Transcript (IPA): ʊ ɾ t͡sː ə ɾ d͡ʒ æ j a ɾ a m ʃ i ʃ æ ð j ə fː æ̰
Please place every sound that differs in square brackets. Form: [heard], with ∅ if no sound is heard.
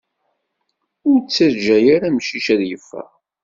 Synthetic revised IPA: ʊ ɾ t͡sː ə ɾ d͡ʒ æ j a ɾ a m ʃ i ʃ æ ð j ə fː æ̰